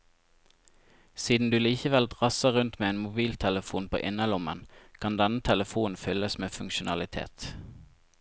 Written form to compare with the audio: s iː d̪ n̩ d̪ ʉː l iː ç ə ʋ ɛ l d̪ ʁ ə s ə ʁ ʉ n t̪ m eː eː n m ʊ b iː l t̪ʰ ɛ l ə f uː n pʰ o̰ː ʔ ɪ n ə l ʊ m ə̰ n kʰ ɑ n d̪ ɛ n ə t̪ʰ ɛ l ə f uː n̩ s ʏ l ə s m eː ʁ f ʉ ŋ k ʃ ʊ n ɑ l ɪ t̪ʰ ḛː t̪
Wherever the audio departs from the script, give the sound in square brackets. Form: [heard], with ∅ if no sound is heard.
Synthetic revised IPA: s iː d̪ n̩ d̪ ʉː l iː ç ə ʋ ɛ l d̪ ʁ [ɑ] s ə ʁ ʉ n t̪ m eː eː n m ʊ b iː l t̪ʰ ɛ l ə f uː n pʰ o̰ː ʔ ɪ n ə l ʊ m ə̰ n kʰ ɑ n d̪ ɛ n ə t̪ʰ ɛ l ə f uː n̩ [f] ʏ l ə s m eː [∅] f ʉ ŋ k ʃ ʊ n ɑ l ɪ t̪ʰ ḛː t̪

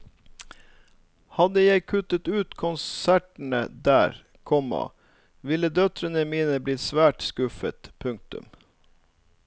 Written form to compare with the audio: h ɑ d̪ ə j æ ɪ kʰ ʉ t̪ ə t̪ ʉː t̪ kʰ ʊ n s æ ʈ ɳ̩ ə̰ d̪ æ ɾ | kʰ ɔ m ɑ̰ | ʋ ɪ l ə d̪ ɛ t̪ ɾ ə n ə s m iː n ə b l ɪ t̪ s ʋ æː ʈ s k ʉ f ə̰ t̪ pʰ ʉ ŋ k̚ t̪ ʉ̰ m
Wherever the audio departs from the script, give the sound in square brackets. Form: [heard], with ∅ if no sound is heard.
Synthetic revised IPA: h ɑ d̪ ə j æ ɪ kʰ ʉ t̪ ə t̪ ʉː t̪ kʰ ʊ n s æ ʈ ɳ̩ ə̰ d̪ [æː] ɾ | kʰ ɔ m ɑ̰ | ʋ ɪ l ə d̪ [œ] t̪ ɾ ə n ə [∅] m iː n ə b l ɪ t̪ s ʋ æː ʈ s k ʉ f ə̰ t̪ pʰ ʉ ŋ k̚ t̪ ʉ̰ m

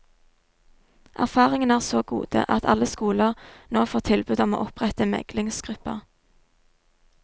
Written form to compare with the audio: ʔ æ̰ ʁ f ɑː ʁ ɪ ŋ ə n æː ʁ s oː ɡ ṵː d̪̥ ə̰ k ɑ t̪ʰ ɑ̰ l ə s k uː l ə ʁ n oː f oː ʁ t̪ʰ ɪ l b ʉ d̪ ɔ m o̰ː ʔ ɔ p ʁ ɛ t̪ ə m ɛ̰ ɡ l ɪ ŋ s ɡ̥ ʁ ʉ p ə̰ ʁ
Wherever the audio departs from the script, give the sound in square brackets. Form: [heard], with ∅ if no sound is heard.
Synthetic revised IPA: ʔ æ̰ ʁ f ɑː ʁ ɪ ŋ ə n æː ʁ s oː ɡ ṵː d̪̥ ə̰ [ʔ] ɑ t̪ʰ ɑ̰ l ə s k uː l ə ʁ n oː f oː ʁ t̪ʰ ɪ l b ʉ d̪ ɔ m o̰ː ʔ ɔ p ʁ ɛ t̪ ə m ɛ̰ ɡ l ɪ ŋ s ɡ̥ ʁ ʉ p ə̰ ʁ

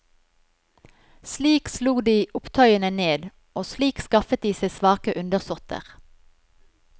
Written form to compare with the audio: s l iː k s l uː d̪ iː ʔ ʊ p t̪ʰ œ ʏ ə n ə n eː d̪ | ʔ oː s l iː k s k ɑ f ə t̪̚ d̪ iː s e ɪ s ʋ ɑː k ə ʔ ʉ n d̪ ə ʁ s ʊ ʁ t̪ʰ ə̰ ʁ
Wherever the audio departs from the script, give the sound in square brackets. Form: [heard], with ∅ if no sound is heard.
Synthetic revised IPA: s l iː k s l uː d̪ iː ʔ ʊ p t̪ʰ œ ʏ ə n ə n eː d̪ | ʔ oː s l iː k s k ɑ f ə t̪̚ d̪ iː s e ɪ s ʋ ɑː k ə ʔ ʉ n d̪ ə ʁ s ʊ ʁ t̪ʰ ə̰ ʁ

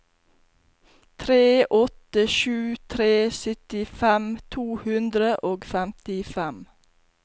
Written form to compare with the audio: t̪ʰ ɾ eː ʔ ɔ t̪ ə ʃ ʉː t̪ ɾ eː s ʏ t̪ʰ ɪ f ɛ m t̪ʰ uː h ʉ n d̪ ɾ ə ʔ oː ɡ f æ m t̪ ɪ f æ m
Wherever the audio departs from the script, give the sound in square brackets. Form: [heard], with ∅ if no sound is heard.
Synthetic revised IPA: t̪ʰ ɾ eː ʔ ɔ t̪ ə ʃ ʉː [t̪ʰ] ɾ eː s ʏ [t̪] ɪ f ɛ m t̪ʰ uː h ʉ n d̪ ɾ ə ʔ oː ɡ f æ m t̪ ɪ f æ m

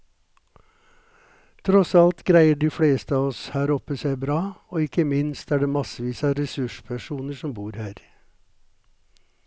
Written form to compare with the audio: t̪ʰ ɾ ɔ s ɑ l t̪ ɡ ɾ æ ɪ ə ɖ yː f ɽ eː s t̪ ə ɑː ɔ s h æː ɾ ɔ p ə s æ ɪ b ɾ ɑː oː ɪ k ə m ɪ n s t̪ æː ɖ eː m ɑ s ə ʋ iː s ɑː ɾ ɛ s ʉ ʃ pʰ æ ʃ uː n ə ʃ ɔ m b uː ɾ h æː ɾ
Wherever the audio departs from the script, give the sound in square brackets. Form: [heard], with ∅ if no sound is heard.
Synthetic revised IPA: t̪ʰ ɾ ɔ s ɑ l t̪ ɡ ɾ æ ɪ ə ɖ [iː] f ɽ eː s t̪ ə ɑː ɔ s h æː ɾ ɔ p ə s æ ɪ b ɾ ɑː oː ɪ k ə m ɪ n s t̪ æː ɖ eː m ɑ s ə ʋ iː s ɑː ɾ ɛ s ʉ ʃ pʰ æ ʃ uː n ə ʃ ɔ m b uː ɾ h æː ɾ

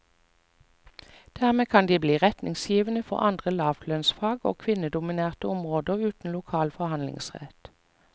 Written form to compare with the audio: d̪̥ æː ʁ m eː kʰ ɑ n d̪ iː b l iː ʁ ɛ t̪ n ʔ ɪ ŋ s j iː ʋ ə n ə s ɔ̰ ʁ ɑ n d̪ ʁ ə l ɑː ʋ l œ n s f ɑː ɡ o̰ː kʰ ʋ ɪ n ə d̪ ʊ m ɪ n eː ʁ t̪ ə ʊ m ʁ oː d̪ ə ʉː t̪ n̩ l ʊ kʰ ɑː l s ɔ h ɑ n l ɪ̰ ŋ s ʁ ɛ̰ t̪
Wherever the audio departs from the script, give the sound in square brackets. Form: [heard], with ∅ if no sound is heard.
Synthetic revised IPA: d̪̥ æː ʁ m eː kʰ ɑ n d̪ iː b l iː ʁ ɛ t̪ n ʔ ɪ ŋ s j iː ʋ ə n ə [f] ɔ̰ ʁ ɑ n d̪ ʁ ə l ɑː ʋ l œ n s f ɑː ɡ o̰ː kʰ ʋ ɪ n ə d̪ ʊ m ɪ n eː ʁ t̪ ə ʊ m ʁ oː d̪ ə ʉː t̪ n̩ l ʊ kʰ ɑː l [f] ɔ h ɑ n l ɪ̰ ŋ s ʁ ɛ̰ t̪

